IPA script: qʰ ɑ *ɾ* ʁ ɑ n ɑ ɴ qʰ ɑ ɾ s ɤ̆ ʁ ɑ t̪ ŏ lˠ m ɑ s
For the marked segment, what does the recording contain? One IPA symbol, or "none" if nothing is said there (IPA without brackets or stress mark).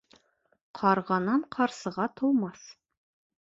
ɾ